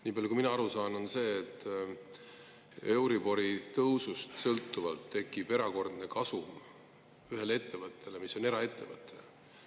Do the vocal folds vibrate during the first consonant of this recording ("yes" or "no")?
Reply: yes